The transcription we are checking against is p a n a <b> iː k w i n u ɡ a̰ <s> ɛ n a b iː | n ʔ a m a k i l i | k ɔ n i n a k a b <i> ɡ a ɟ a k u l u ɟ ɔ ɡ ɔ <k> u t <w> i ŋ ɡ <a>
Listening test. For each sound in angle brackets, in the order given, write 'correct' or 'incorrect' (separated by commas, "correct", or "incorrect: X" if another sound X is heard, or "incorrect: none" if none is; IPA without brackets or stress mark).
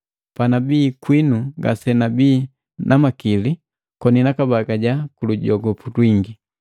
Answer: correct, correct, incorrect: a, incorrect: p, correct, incorrect: i